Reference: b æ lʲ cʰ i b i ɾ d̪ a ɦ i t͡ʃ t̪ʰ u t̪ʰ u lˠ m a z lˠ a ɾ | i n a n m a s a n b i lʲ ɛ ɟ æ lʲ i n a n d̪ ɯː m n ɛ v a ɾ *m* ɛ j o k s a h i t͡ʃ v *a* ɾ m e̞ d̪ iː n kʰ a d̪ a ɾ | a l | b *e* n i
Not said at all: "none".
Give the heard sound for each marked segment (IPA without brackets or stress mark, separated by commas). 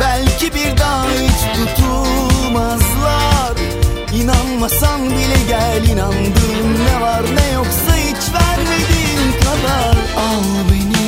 n, æ, e